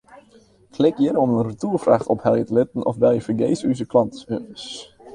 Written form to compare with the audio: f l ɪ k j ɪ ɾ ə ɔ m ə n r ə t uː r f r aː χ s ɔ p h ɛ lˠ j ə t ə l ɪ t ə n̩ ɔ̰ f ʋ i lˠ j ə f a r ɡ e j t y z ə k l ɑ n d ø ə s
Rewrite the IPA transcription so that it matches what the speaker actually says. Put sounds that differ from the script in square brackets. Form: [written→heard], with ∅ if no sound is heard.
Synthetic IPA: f l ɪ k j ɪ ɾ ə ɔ m ə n r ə t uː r f r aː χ [s→t] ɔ p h ɛ lˠ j ə t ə l ɪ t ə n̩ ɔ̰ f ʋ [i→ɛ] lˠ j ə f [a→ə] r ɡ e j [t→s] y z ə k l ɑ n [d→t] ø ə s